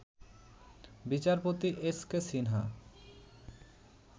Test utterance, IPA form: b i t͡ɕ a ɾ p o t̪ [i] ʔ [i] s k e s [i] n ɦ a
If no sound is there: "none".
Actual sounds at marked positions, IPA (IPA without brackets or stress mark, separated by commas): i, e, i